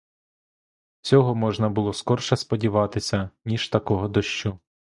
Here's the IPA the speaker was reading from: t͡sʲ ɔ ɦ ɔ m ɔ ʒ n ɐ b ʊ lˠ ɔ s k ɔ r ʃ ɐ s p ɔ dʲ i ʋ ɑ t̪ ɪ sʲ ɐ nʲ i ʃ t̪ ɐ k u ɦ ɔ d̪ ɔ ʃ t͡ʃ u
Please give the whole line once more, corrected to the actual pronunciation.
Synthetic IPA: t͡sʲ ɔ ɦ ɔ m ɔ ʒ n ɐ b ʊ lˠ ɔ s k ɔ r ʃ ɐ s p ɔ dʲ i ʋ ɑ t̪ ɪ sʲ ɐ nʲ i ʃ t̪ ɐ k ɔ ɦ ɔ d̪ ɔ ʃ t͡ʃ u